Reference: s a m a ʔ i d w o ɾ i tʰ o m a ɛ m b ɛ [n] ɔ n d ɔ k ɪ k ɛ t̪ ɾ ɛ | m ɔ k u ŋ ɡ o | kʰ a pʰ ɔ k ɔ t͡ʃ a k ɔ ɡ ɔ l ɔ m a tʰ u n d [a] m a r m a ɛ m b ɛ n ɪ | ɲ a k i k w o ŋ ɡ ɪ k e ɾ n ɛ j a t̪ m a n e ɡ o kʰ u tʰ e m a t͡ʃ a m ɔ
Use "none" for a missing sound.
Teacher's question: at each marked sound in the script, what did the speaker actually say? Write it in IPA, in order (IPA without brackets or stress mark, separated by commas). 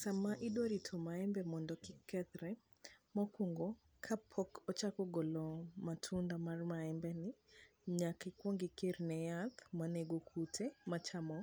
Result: m, a